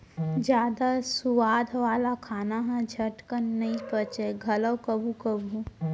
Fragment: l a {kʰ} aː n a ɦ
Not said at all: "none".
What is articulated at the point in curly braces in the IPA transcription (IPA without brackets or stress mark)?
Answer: kʰ